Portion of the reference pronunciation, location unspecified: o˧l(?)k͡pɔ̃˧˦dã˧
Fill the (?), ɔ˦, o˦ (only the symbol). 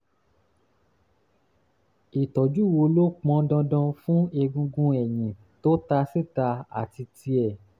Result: o˦